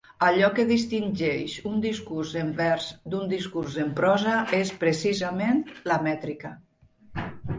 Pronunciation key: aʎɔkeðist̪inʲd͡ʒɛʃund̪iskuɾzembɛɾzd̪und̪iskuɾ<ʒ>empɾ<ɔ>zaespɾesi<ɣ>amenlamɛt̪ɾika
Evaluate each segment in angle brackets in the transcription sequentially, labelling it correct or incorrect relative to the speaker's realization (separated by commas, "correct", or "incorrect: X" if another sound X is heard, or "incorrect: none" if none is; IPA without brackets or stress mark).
incorrect: z, correct, incorrect: z